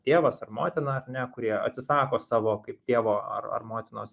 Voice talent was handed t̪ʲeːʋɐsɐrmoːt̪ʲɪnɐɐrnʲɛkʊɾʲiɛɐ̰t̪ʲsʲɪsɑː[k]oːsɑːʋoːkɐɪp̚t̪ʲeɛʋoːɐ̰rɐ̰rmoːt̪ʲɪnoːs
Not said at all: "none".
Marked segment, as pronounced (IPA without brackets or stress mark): k